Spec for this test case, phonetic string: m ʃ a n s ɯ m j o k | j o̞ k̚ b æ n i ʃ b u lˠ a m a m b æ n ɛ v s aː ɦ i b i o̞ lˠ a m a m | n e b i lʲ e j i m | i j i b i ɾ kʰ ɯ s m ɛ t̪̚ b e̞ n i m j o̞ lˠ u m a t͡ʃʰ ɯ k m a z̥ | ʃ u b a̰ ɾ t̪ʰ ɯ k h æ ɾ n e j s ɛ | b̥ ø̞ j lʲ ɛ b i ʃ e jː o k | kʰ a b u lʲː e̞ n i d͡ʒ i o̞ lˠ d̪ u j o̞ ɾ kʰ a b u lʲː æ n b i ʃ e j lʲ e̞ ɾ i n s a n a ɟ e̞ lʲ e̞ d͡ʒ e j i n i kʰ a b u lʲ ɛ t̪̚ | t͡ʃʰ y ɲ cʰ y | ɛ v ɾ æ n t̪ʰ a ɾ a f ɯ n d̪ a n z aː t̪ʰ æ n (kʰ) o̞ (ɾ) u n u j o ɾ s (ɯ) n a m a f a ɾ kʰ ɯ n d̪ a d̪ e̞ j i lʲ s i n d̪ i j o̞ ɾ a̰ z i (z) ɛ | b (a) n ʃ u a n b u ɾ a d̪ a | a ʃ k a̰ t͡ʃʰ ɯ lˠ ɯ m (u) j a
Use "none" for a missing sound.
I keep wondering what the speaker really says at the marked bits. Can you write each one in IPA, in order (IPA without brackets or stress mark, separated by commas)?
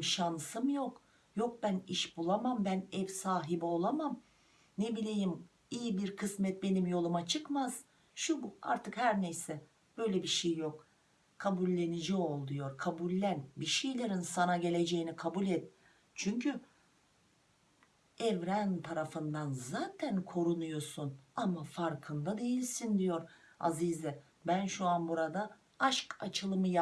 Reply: kʰ, ɾ, u, z, æ, ɯ